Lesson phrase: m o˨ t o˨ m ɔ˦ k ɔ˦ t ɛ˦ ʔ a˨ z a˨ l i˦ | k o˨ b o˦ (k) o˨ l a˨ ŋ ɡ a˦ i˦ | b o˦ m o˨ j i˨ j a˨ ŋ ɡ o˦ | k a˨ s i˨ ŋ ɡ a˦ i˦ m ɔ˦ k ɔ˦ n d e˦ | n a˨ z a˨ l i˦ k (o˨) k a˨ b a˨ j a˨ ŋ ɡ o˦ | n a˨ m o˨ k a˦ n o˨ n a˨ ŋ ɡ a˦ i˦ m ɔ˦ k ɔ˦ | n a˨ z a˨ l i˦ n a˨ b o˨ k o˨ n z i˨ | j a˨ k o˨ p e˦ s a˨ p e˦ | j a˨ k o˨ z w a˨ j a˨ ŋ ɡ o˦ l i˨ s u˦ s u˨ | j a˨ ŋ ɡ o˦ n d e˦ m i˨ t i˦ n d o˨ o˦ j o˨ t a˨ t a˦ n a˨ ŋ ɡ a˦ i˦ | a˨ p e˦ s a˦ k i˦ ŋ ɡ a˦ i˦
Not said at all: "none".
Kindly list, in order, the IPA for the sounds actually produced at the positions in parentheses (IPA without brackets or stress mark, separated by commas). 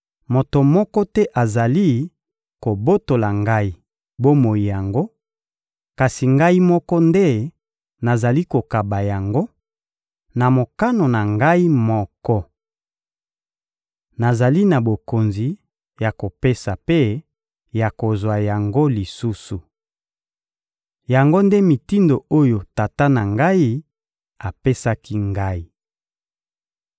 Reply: t, o˨